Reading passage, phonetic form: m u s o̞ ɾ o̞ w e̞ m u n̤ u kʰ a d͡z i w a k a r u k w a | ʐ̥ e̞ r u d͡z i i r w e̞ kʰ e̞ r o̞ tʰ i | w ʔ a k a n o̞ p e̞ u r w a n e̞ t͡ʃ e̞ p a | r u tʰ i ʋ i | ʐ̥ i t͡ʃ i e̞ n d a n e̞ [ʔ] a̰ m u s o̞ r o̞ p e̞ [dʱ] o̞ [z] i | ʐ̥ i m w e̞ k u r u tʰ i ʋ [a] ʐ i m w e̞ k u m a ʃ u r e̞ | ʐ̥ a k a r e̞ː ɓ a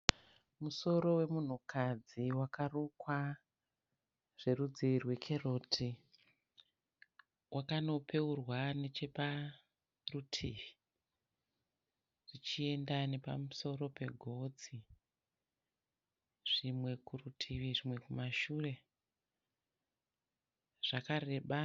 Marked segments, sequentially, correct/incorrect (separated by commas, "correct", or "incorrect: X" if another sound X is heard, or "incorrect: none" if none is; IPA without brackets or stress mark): incorrect: p, incorrect: ɡʱ, incorrect: d͡z, incorrect: i